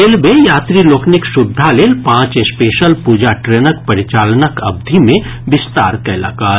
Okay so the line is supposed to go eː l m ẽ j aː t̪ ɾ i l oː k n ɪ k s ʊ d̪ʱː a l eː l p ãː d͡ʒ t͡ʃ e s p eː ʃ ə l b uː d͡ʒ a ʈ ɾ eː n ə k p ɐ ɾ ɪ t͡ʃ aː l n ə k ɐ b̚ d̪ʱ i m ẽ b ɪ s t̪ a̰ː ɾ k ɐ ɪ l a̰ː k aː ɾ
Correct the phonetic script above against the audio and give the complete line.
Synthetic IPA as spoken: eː l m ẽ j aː t̪ ɾ i l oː k n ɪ k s ʊ d̪ʱː a l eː l p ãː t͡ʃ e s p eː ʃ ə l p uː d͡ʒ a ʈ ɾ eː n ə k p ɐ ɾ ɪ t͡ʃ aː l n ə k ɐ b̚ d̪ʱ i m ẽ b ɪ s t̪ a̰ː ɾ k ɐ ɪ l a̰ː k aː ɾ